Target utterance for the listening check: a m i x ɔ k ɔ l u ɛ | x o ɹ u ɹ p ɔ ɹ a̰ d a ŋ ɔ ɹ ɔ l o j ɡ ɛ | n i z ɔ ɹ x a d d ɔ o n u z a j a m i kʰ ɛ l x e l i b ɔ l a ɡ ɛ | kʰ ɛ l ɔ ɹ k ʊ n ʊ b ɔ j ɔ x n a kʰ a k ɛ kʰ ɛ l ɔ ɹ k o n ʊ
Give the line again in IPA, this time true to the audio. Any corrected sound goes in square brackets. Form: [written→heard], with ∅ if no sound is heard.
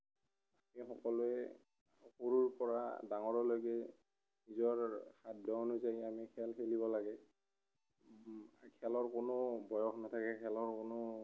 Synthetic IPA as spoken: a m i x ɔ k ɔ l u ɛ | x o ɹ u ɹ p ɔ ɹ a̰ d a ŋ ɔ ɹ ɔ l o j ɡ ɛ | n i z ɔ ɹ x a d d ɔ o n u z a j a m i kʰ ɛ l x e l i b ɔ l a ɡ ɛ | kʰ ɛ l ɔ ɹ k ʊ n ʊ b ɔ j ɔ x n a [kʰ→tʰ] a k ɛ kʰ ɛ l ɔ ɹ k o n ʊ